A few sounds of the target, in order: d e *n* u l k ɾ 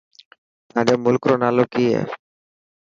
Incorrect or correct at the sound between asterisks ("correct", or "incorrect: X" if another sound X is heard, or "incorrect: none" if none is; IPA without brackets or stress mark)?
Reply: incorrect: m